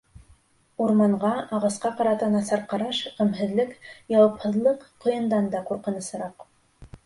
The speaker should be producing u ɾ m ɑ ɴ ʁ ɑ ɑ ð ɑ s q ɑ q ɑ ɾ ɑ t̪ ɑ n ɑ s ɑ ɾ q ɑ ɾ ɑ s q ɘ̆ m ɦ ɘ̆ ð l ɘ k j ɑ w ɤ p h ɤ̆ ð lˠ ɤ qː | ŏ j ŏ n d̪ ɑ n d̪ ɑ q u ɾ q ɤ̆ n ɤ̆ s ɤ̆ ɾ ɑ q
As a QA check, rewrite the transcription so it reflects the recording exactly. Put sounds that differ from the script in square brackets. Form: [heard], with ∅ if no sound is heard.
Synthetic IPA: u ɾ m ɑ ɴ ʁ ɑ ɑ [ʁ] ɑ s q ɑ q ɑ ɾ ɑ t̪ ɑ n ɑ s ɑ ɾ q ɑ ɾ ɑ [ʃ] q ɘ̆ m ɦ ɘ̆ ð l ɘ k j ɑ w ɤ p h ɤ̆ ð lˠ ɤ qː | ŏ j [ɤ̆] n d̪ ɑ n d̪ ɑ q u ɾ q ɤ̆ n ɤ̆ s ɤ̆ ɾ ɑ q